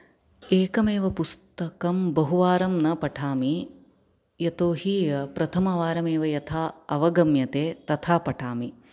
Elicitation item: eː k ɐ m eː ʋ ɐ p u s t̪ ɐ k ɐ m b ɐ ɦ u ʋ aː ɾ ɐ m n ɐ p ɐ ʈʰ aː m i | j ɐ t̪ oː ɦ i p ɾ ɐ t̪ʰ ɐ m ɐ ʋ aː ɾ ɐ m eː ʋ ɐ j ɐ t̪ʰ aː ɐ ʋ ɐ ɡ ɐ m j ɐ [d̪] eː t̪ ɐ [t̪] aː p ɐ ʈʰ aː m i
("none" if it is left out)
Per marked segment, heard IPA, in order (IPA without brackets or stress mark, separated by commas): t̪, t̪ʰ